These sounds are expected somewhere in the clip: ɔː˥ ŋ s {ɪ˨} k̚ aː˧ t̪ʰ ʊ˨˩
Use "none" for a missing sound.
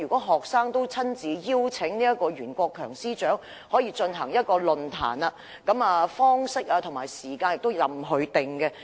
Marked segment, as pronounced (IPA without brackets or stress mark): ɪ˥